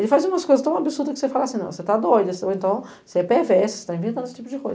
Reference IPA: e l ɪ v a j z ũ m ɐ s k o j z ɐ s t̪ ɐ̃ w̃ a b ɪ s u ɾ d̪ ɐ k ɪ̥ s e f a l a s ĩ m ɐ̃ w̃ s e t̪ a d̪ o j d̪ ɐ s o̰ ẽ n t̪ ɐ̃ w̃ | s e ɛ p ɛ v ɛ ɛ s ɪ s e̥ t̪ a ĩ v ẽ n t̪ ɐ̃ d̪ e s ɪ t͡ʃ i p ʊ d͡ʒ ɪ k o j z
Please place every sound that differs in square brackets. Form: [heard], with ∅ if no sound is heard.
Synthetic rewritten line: e l ɪ [f] a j z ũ m ɐ s k o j z ɐ s t̪ ɐ̃ w̃ a b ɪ s u ɾ d̪ ɐ k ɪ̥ s e f a l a s ĩ [n] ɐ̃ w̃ s e t̪ a d̪ o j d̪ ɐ s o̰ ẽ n t̪ ɐ̃ w̃ | s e ɛ p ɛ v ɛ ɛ s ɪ s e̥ t̪ a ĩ v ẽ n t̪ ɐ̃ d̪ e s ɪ t͡ʃ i p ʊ d͡ʒ ɪ k o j z